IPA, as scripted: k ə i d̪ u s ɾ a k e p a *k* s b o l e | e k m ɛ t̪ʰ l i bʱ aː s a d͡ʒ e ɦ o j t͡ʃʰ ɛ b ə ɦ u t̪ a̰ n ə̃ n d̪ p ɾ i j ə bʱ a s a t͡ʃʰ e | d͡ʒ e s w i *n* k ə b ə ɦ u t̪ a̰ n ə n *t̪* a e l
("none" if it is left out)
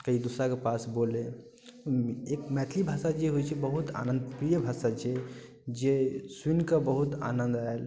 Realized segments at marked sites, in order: none, n, d̪

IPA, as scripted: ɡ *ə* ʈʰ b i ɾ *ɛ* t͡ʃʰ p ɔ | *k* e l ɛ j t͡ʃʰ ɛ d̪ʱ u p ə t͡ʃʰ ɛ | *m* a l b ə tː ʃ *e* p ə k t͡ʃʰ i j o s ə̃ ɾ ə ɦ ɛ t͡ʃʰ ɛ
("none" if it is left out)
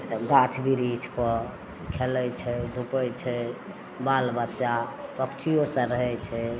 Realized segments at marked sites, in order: a, i, kʰ, b, a

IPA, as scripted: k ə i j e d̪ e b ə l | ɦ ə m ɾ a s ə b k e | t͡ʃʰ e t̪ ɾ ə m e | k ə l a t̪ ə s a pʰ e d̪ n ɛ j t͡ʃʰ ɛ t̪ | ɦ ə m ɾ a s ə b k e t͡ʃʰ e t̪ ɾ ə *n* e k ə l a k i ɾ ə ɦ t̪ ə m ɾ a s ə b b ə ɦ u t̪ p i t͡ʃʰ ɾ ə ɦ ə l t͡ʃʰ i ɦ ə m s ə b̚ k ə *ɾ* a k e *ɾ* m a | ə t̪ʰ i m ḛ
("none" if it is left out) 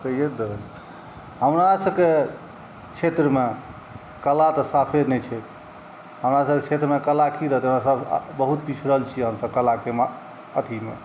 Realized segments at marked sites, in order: m, l, none

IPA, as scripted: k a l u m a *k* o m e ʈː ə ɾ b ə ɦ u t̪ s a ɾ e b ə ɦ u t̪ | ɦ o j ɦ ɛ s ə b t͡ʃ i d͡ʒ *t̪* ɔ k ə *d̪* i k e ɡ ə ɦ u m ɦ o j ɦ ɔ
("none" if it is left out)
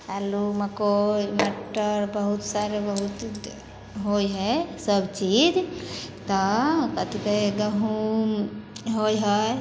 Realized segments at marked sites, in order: k, t̪, t̪

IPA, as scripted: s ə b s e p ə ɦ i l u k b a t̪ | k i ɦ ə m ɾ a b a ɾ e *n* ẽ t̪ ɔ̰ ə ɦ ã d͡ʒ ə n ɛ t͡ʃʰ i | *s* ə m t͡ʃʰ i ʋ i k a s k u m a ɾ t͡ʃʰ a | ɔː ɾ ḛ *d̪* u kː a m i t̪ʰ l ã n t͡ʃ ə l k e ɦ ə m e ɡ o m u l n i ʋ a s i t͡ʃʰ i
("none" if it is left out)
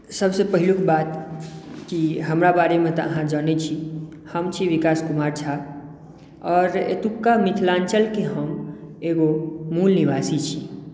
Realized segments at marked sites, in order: m, h, t̪

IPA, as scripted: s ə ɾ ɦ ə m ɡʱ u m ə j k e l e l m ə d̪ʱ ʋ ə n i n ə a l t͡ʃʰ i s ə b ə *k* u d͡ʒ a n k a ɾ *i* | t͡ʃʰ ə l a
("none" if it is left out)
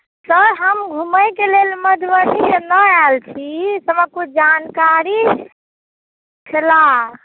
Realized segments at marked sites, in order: k, i

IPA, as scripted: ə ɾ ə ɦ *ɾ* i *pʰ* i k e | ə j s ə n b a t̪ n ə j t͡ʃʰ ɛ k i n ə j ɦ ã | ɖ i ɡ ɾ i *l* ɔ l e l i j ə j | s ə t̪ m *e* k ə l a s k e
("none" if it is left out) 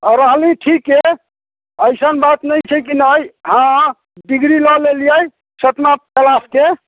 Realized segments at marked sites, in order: l, ʈʰ, l, a

